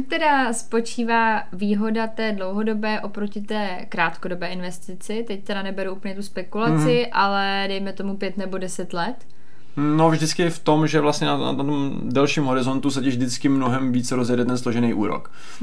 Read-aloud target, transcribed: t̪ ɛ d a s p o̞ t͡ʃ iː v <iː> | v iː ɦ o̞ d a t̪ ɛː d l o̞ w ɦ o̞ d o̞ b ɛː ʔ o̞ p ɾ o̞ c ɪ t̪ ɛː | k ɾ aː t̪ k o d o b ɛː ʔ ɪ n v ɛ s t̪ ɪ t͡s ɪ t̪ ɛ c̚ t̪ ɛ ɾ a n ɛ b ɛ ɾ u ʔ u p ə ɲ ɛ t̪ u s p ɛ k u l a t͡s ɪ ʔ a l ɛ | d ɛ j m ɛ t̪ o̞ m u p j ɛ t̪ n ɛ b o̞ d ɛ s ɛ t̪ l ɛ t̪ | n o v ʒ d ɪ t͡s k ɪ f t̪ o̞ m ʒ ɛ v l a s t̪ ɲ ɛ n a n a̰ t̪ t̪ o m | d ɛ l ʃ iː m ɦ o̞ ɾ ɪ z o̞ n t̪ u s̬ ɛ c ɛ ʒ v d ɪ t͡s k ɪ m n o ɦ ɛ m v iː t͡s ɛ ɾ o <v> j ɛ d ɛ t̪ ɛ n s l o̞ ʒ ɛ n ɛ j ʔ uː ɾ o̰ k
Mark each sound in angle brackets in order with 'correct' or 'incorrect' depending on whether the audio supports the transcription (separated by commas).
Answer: incorrect, incorrect